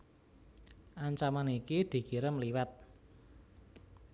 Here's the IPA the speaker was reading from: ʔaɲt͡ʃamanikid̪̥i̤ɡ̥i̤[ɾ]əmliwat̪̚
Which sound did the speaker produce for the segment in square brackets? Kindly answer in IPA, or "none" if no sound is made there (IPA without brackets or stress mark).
ɾ